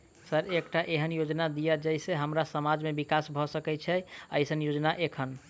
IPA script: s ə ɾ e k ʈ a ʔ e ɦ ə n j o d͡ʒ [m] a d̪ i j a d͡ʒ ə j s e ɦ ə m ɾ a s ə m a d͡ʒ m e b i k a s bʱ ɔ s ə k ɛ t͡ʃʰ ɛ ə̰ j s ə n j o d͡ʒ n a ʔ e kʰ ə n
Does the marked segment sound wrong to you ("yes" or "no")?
yes